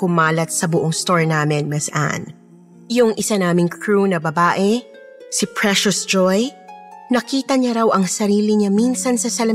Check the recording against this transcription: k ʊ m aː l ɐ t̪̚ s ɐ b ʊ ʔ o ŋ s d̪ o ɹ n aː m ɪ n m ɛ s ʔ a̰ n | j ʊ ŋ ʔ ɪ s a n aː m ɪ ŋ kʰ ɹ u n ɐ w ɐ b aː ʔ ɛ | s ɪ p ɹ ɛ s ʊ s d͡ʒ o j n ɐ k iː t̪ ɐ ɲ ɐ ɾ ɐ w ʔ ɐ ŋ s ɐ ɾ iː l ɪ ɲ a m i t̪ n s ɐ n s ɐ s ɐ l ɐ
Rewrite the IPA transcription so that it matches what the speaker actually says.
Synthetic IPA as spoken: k ʊ m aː l ɐ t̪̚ s ɐ b ʊ ʔ o ŋ s t̪ o ɹ n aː m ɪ n m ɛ s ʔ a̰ n | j ʊ ŋ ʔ ɪ s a n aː m ɪ ŋ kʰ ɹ u n ɐ b ɐ b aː ʔ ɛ | s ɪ p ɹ ɛ ʃ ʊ s d͡ʒ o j n ɐ k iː t̪ ɐ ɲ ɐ ɾ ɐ w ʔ ɐ ŋ s ɐ ɾ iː l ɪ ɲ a m i n s ɐ n s ɐ s ɐ l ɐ